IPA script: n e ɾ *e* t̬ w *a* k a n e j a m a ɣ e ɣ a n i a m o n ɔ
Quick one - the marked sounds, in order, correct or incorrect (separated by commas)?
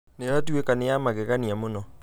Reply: incorrect, incorrect